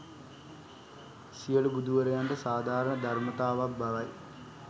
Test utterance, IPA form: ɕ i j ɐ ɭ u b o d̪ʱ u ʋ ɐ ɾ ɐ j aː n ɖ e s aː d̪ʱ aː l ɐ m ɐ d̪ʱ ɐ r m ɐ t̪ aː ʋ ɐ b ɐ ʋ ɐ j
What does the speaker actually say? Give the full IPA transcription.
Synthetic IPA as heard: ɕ i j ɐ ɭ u b u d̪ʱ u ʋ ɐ ɾ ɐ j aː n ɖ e s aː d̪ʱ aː ɾ ɐ ɳ ɐ d̪ʱ ɐ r m ɐ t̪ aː ʋ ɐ b ɐ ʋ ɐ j